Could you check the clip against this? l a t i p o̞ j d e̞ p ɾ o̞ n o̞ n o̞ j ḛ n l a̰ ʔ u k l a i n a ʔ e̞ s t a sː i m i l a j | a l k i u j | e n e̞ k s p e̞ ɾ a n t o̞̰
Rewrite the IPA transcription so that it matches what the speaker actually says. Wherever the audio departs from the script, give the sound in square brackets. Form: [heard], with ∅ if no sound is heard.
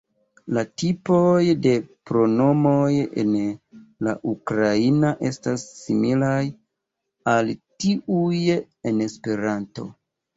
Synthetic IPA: l a t i p o̞ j d e̞ p ɾ o̞ n o̞ [m] o̞ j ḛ n l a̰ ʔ u k [ɾ] a i n a ʔ e̞ s t a sː i m i l a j | a l [t] i u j | e n e̞ [∅] s p e̞ ɾ a n t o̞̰